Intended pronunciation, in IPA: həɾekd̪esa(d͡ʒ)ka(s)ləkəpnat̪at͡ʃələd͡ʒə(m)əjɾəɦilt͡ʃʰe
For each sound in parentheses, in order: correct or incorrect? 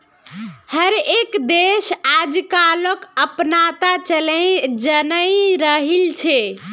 correct, incorrect: none, incorrect: n

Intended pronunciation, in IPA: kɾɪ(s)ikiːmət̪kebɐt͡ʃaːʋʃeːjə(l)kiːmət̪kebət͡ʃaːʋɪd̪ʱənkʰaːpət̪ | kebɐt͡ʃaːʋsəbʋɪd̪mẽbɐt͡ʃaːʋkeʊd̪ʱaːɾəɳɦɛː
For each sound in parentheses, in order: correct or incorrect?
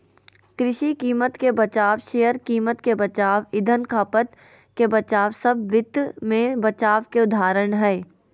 incorrect: ʃ, incorrect: ɾ

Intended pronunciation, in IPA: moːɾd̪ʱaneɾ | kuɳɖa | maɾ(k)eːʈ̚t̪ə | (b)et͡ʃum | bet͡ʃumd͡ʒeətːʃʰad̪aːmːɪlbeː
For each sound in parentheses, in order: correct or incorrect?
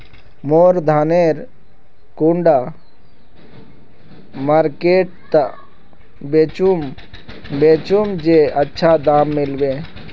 correct, correct

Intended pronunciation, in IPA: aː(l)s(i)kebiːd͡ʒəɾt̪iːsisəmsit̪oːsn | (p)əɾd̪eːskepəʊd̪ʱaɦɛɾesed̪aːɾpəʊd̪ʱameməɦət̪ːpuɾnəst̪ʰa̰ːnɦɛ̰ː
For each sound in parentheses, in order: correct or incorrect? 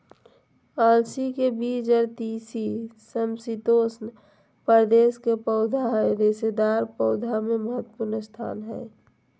correct, correct, correct

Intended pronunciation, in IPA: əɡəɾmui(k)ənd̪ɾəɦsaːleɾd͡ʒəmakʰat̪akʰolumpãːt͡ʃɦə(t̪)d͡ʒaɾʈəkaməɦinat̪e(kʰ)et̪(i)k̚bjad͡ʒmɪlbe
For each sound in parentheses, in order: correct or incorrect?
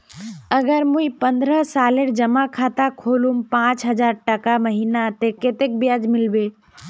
incorrect: p, incorrect: none, incorrect: k, incorrect: e

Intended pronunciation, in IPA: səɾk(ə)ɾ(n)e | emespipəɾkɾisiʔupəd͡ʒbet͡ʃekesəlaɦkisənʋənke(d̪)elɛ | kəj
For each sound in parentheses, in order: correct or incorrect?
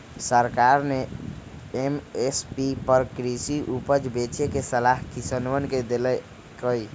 incorrect: a, correct, correct

